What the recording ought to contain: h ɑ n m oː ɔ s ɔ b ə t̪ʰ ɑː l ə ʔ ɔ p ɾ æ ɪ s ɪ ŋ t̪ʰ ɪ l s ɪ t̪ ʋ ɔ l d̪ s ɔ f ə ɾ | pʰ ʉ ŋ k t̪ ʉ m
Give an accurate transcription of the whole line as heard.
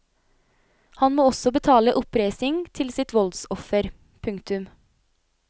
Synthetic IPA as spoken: h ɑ n m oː ɔ s ɔ b ə t̪ʰ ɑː l ə ʔ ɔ p ɾ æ ɪ s ɪ ŋ t̪ʰ ɪ l s ɪ t̪ ʋ ɔ l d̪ s ɔ f ə ɾ | pʰ ʉ ŋ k t̪ ʉ m